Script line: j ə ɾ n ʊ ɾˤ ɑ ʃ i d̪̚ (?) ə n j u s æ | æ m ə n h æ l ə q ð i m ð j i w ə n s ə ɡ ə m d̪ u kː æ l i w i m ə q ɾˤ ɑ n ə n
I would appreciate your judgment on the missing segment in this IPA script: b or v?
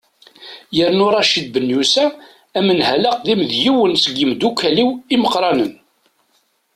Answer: b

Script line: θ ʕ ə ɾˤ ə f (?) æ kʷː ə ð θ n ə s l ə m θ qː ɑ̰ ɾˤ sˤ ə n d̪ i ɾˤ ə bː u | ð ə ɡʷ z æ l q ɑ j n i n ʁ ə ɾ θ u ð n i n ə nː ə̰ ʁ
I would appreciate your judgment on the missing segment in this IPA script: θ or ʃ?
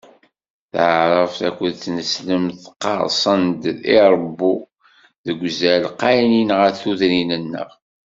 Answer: θ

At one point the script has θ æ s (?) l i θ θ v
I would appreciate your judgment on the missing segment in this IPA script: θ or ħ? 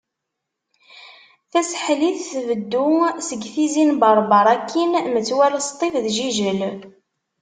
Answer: ħ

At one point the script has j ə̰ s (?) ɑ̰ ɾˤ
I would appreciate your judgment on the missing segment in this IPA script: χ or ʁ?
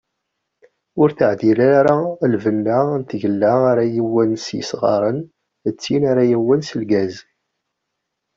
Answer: ʁ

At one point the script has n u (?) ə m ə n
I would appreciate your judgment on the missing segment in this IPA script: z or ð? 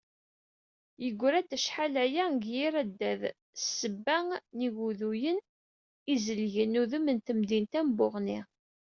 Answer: ð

